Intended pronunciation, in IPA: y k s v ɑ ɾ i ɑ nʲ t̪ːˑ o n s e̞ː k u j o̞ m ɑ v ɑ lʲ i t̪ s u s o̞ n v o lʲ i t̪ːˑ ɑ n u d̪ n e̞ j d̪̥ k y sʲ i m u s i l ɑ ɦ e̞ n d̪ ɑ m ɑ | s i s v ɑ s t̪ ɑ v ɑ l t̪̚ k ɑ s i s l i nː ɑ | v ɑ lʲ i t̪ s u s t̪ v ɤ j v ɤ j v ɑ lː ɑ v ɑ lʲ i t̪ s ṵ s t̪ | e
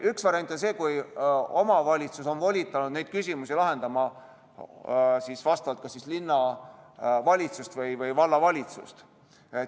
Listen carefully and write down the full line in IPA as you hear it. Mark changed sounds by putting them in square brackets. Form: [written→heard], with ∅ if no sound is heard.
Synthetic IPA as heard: y k s v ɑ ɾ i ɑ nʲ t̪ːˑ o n s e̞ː k u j o̞ m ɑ v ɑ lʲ i t̪ s u s o̞ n v o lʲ i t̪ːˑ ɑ n u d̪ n e̞ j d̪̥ k y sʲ i m u s i l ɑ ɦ e̞ n d̪ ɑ m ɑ | s i s v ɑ s t̪ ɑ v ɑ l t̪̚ k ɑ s i s l i nː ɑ | v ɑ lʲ i t̪ s u s t̪ v ɤ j v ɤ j v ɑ lː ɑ v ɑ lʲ i t̪ s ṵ s t̪ | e